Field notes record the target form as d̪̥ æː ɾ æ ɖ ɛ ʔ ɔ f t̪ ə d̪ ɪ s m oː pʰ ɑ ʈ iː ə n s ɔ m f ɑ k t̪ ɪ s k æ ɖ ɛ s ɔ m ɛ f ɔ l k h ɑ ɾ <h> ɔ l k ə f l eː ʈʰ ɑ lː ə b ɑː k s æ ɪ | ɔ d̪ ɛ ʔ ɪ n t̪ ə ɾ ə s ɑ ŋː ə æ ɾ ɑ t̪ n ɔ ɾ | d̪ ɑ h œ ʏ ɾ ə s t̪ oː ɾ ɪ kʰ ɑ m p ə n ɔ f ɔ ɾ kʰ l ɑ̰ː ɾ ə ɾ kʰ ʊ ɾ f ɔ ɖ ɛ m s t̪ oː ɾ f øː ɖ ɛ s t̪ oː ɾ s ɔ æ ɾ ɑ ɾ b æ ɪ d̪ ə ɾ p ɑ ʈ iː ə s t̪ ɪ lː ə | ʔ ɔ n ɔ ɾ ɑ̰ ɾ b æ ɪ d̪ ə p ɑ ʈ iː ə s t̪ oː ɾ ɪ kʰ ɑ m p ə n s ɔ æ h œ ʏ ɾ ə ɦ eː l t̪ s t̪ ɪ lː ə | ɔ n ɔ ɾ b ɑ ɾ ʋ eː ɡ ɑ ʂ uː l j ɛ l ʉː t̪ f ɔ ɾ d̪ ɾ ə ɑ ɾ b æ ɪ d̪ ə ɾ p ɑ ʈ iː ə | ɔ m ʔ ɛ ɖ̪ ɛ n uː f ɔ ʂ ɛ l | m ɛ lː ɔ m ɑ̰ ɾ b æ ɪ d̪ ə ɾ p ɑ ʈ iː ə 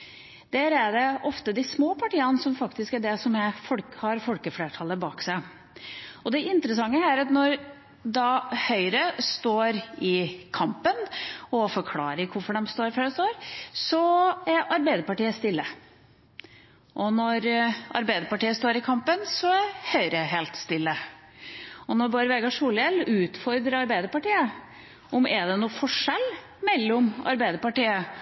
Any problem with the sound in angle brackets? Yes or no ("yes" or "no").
yes